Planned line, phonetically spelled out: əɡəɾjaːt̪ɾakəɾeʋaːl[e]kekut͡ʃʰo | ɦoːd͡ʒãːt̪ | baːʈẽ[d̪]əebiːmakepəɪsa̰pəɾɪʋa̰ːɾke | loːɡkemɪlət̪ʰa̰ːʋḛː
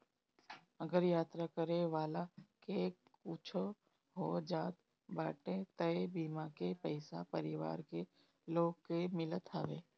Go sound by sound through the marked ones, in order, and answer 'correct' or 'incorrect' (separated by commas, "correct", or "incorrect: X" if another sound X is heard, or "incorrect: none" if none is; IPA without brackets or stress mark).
incorrect: a, incorrect: t̪